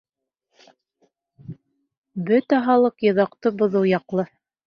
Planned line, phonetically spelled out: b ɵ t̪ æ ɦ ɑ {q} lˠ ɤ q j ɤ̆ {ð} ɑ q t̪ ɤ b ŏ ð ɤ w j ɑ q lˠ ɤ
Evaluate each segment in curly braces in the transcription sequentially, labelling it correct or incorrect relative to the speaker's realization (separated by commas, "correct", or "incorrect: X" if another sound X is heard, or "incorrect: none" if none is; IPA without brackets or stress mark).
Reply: incorrect: none, correct